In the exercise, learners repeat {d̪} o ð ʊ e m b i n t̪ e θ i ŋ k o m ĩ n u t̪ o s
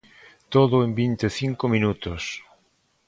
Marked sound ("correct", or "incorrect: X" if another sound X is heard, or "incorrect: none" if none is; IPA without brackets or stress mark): incorrect: t̪